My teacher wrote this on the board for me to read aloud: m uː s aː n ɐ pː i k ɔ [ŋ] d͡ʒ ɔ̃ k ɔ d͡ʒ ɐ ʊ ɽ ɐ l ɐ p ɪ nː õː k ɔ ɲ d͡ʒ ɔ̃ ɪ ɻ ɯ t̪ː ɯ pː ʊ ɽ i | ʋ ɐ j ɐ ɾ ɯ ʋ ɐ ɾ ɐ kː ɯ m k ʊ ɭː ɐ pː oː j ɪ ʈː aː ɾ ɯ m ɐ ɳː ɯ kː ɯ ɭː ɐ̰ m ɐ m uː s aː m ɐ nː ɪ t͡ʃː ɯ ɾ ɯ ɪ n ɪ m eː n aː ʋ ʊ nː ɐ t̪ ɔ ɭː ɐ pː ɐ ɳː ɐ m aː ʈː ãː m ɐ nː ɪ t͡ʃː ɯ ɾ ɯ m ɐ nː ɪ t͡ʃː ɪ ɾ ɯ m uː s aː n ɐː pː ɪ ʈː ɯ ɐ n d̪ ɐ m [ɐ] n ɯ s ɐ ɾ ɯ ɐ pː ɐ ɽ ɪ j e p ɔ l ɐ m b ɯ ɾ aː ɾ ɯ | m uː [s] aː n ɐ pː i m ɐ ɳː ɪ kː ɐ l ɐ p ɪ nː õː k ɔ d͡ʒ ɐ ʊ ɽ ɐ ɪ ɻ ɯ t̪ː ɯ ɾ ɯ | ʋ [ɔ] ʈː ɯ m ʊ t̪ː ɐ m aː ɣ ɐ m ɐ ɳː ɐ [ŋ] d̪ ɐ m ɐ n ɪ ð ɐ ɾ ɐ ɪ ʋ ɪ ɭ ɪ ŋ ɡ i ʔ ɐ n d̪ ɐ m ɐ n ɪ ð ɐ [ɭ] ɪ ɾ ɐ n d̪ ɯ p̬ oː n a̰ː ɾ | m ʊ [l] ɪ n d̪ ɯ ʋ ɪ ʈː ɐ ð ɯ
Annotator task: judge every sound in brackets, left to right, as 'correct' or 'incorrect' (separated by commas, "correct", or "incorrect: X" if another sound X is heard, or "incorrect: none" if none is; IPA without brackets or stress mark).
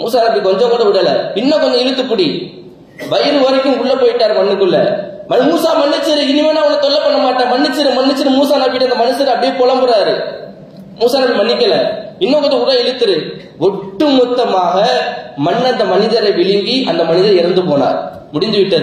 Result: incorrect: ɲ, correct, correct, correct, incorrect: n, incorrect: ɾ, incorrect: ɽ